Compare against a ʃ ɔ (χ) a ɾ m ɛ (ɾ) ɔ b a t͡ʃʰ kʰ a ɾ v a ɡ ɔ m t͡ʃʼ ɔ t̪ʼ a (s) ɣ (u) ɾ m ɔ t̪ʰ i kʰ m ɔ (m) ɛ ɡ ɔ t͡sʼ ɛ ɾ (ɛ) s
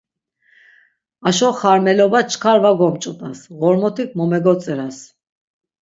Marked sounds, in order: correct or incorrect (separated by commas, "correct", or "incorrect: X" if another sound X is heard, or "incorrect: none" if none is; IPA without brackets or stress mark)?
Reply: correct, incorrect: l, correct, incorrect: ɔ, correct, incorrect: a